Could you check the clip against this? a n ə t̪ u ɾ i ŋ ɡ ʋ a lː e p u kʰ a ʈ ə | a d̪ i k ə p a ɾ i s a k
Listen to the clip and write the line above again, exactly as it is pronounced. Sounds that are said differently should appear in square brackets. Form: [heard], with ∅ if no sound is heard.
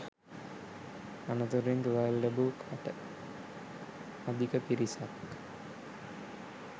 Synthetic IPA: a n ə t̪ u ɾ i ŋ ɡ ʋ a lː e [b] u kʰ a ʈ ə | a d̪ i k ə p [i] ɾ i s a k